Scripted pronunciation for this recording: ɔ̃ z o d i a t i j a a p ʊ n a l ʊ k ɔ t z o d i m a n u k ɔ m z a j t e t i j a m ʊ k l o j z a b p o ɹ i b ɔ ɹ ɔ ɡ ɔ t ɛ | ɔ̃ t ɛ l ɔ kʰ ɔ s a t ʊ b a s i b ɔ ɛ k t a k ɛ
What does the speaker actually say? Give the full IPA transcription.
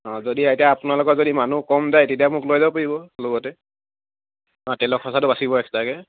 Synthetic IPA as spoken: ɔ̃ z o d i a t i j a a p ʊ n a l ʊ k ɔ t z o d i m a n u k ɔ m z a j t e t i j a m ʊ k l o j z a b p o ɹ i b ɔ l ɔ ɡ ɔ t ɛ | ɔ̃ t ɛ l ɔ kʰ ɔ s a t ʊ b a s i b ɔ ɛ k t a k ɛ